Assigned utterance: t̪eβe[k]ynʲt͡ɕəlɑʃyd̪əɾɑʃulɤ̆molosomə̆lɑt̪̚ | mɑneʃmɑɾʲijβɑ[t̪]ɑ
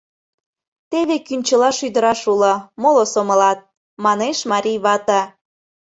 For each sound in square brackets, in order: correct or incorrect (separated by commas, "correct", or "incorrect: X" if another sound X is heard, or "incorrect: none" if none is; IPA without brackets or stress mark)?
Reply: correct, correct